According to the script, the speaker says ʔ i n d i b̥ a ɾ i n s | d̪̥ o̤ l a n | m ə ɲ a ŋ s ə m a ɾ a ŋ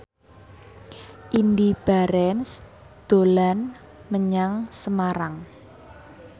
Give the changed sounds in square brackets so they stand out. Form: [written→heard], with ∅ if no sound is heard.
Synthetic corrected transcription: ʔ i n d i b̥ a ɾ [i→ɛ] n s | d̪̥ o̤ l a n | m ə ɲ a ŋ s ə m a ɾ a ŋ

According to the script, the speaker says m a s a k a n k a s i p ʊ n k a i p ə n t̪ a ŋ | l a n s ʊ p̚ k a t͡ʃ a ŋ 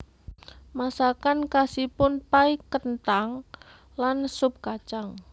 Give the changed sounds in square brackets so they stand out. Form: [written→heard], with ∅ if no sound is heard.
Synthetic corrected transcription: m a s a k a n k a s i p ʊ n [k→p] a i [p→k] ə n t̪ a ŋ | l a n s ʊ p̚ k a t͡ʃ a ŋ

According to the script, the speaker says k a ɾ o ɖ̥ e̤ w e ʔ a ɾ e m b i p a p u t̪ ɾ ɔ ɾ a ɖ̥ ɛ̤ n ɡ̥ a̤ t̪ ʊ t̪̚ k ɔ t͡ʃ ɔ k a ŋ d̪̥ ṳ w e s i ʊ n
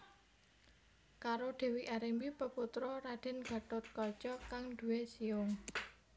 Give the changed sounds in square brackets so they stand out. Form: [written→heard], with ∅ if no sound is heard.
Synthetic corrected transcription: k a ɾ o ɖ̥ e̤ w [e→i] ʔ a ɾ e m b i p [a→ə] p u t̪ ɾ ɔ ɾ a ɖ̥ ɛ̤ n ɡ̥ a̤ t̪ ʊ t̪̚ k ɔ t͡ʃ ɔ k a ŋ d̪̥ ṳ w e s i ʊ [n→ŋ]

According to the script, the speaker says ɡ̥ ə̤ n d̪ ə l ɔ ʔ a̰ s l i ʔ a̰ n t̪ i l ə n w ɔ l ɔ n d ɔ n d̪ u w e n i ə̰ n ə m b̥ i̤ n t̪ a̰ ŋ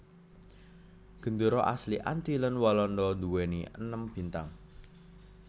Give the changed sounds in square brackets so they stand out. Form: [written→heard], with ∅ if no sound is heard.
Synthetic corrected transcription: ɡ̥ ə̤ n d̪ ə [l→ɾ] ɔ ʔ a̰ s l i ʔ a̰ n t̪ i l ə n w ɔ l ɔ n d ɔ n d̪ u w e n i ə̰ n ə m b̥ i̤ n t̪ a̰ ŋ

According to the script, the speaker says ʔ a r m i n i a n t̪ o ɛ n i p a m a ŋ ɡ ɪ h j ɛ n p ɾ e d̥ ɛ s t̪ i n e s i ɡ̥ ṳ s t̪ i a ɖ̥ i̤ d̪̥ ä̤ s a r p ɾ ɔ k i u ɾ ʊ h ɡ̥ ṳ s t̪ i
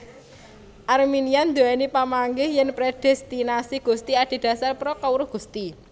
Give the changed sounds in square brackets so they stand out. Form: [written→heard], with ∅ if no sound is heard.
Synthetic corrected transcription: ʔ a r m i n i a n [t̪→d̪] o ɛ n i p a m a ŋ ɡ ɪ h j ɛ n p ɾ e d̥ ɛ s t̪ i n [e→a] s i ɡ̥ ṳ s t̪ i a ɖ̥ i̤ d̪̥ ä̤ s a r p ɾ ɔ k [i→a] u ɾ ʊ h ɡ̥ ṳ s t̪ i

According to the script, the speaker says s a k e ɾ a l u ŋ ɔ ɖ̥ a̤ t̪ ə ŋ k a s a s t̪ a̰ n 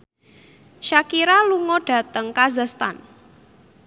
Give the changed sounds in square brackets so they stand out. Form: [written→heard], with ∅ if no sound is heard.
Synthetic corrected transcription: [s→ʃ] a k [e→i] ɾ a l u ŋ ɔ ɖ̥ a̤ t̪ ə ŋ k a [s→z] a s t̪ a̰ n

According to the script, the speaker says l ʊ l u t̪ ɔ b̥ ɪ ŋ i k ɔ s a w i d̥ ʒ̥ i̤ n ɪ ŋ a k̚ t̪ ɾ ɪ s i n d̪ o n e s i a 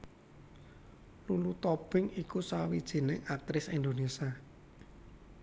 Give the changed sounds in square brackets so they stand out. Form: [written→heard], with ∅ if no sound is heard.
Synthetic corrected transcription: l [ʊ→u] l u t̪ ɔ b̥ ɪ ŋ i k [ɔ→u] s a w i d̥ ʒ̥ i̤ n ɪ ŋ a k̚ t̪ ɾ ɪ s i n d̪ o n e s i a

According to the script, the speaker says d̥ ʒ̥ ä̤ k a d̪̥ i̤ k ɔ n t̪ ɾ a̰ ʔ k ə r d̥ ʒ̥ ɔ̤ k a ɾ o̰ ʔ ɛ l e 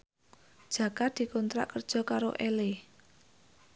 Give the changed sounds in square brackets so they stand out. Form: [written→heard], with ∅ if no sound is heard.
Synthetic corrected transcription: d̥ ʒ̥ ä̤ k a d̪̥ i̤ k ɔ n t̪ ɾ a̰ ʔ k ə r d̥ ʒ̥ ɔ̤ k a ɾ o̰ ʔ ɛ l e

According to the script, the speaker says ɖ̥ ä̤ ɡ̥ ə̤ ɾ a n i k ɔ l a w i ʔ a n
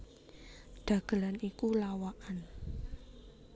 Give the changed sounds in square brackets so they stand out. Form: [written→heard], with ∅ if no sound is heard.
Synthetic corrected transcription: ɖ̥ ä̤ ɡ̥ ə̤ [ɾ→l] a n i k [ɔ→u] l a w [i→a] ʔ a n

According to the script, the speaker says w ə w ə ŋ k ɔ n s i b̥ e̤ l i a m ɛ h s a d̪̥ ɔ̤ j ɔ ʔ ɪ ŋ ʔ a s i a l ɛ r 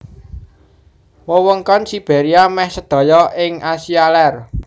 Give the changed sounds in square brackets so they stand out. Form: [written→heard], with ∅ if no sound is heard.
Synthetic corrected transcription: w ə w ə ŋ k ɔ n s i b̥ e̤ [l→ɾ] i a m ɛ h s [a→ə] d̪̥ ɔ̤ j ɔ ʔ ɪ ŋ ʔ a s i a l ɛ r

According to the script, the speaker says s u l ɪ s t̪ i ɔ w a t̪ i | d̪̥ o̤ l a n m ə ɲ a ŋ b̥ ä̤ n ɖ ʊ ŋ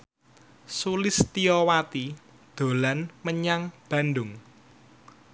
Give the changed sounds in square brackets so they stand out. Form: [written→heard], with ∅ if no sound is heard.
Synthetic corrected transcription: s u l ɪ s t̪ i ɔ w a t̪ i | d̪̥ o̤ l a n m ə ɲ a ŋ b̥ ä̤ n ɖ ʊ ŋ

